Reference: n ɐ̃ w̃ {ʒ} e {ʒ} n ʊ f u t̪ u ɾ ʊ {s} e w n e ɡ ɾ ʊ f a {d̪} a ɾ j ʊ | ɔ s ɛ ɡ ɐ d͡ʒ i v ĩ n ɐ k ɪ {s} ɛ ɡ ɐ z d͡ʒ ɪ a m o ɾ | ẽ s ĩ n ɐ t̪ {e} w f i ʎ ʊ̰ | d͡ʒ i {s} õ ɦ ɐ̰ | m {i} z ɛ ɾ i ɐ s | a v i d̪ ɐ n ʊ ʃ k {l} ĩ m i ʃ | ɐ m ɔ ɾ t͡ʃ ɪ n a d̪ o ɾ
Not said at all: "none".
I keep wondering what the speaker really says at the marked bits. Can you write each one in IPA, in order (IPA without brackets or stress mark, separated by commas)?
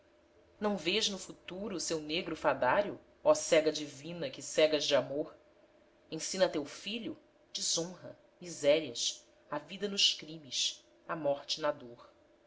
v, ʒ, s, d̪, s, e, z, i, ɾ